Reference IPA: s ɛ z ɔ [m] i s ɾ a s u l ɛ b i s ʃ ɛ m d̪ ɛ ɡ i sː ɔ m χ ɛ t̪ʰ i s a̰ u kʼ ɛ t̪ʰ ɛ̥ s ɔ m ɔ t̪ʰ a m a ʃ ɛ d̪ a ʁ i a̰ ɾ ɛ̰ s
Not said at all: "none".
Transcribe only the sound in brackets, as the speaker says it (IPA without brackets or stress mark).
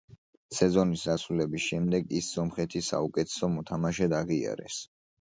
n